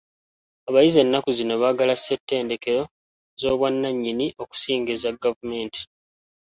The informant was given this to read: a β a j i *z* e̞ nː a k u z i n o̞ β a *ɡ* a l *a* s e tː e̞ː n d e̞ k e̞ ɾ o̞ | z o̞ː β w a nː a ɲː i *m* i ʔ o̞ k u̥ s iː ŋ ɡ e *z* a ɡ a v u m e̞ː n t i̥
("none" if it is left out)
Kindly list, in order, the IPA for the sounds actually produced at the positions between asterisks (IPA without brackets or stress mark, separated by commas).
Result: z, ɡ, a, n, z